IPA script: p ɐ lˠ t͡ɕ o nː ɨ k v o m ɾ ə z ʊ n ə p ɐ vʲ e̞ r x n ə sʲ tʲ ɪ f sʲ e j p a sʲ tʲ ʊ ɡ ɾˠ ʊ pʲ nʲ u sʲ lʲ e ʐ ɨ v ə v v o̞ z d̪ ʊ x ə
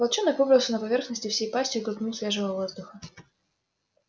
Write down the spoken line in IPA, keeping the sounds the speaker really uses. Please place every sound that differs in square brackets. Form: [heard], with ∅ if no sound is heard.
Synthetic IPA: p ɐ lˠ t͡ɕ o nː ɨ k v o [b] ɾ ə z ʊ n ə p ɐ vʲ e̞ r x n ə sʲ tʲ ɪ f sʲ e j p a sʲ tʲ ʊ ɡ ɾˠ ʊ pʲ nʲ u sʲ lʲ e ʐ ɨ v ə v v o̞ z d̪ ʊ x ə